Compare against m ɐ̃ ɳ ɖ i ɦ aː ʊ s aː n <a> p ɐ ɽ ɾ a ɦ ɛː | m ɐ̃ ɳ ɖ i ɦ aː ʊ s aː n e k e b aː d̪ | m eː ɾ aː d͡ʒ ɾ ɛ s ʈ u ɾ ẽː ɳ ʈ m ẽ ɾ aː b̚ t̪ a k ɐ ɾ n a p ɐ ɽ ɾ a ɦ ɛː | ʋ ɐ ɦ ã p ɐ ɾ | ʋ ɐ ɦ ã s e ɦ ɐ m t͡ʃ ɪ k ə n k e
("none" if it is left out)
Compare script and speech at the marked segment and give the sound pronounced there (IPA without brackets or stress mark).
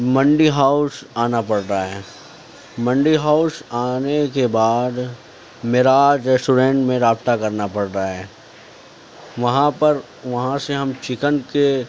a